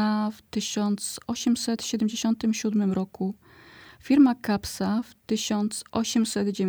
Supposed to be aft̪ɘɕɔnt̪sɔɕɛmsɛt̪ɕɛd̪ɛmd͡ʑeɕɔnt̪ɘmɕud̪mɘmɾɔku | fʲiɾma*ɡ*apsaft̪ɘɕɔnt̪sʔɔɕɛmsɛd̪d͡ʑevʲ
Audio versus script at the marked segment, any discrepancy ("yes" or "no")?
yes